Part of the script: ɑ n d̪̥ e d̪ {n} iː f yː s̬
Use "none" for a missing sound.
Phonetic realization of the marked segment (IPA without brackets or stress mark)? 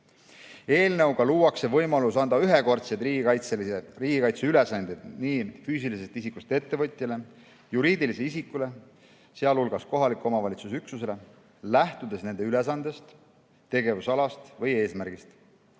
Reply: n